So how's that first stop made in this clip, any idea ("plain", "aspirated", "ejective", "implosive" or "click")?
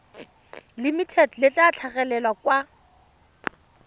aspirated